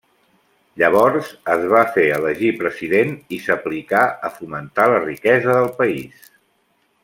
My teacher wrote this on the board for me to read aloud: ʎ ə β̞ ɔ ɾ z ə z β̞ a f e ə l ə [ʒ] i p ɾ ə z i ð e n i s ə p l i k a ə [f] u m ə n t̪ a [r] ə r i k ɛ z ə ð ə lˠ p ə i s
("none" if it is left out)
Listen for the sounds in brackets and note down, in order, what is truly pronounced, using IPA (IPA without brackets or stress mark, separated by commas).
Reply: ʒ, f, l